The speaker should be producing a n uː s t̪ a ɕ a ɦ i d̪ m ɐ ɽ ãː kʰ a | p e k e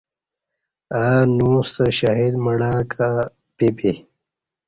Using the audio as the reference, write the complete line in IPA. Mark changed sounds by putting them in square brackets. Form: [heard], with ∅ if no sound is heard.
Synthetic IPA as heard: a n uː s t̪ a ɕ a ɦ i d̪ m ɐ ɽ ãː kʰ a | p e [p] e